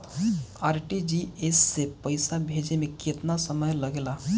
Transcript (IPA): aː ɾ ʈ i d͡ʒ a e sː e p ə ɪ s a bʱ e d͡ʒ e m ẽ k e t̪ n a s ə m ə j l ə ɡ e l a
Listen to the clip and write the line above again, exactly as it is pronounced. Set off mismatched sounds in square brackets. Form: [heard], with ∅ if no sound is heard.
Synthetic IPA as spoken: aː ɾ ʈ i d͡ʒ [i] e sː e p ə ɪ s a bʱ e d͡ʒ e m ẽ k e t̪ n a s ə m ə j l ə ɡ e l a